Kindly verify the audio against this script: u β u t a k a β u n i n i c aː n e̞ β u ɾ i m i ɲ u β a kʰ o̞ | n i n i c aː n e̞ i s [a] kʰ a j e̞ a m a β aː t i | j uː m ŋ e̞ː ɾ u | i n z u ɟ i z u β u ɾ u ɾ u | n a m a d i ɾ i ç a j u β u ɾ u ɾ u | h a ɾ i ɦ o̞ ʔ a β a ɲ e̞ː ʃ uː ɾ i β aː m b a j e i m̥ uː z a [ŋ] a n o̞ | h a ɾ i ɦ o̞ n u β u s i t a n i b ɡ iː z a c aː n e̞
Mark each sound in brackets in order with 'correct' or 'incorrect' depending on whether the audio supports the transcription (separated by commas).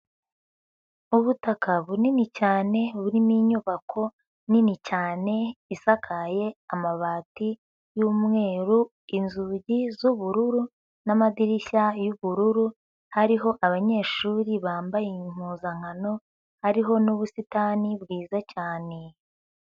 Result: correct, correct